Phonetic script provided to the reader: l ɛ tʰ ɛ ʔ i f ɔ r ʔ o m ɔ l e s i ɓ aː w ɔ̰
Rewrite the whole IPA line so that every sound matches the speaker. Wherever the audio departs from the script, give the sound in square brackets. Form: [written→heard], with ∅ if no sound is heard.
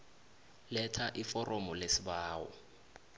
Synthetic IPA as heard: l ɛ tʰ [ɛ→a] ʔ i f ɔ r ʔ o m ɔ l e s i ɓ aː w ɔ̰